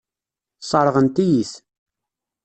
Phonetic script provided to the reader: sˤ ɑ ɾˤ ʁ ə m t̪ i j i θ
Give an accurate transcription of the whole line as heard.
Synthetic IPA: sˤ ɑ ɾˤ ʁ ə n t̪ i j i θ